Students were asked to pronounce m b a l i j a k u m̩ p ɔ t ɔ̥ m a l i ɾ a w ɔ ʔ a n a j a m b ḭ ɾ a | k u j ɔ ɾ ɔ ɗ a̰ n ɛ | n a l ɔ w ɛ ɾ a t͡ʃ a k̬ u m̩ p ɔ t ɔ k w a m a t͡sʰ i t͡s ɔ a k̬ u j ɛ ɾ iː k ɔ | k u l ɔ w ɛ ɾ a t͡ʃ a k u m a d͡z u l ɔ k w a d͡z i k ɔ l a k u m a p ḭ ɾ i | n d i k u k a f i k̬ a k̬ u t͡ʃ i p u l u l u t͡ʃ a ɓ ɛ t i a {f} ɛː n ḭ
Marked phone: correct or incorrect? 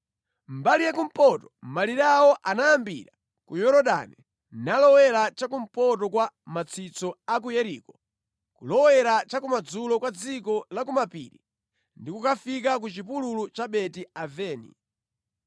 incorrect